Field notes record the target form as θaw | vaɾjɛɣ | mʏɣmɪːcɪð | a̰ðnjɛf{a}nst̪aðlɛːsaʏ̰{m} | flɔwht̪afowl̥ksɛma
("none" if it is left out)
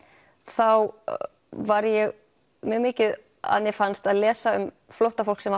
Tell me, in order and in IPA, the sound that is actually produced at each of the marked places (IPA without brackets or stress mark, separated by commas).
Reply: a, m